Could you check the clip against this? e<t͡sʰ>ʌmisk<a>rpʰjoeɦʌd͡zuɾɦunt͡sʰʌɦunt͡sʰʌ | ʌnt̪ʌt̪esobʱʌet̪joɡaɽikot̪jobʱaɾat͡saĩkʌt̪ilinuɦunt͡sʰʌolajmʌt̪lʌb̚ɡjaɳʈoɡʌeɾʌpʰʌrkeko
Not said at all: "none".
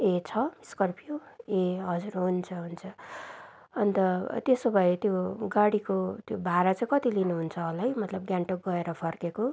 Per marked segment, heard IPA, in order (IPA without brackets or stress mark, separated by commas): t͡sʰ, ʌ